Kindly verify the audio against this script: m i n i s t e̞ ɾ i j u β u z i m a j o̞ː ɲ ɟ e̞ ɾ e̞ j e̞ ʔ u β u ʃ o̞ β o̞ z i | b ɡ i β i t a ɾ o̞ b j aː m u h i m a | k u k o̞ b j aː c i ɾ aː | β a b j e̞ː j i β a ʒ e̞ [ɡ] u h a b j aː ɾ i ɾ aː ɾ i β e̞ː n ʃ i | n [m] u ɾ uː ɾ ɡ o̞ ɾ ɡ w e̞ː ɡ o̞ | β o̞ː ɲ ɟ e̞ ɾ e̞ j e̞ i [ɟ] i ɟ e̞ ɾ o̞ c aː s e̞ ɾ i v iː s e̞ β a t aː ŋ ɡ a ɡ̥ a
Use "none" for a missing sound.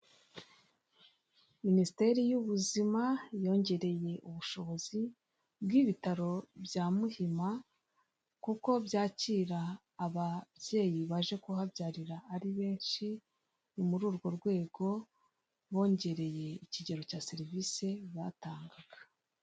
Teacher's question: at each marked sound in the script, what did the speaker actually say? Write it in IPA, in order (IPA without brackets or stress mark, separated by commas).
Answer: k, m, c